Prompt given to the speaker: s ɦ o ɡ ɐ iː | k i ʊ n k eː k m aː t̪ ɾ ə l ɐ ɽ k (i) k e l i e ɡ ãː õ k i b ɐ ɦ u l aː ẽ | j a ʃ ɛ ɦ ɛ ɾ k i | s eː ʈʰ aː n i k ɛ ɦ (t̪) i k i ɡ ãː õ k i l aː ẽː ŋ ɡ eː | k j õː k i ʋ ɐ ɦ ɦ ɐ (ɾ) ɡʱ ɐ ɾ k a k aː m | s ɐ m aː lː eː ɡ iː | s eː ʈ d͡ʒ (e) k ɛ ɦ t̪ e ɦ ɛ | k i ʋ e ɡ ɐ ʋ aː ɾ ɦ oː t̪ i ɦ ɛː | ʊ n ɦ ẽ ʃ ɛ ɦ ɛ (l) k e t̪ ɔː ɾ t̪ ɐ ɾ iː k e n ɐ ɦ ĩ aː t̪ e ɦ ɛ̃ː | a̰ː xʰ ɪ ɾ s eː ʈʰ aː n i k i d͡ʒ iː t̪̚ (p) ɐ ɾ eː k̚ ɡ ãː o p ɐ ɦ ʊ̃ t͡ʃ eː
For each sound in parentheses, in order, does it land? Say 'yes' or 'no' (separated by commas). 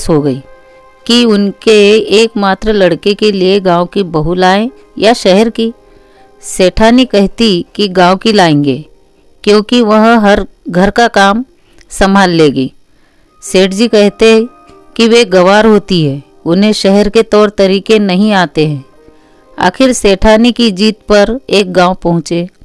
no, yes, yes, no, no, yes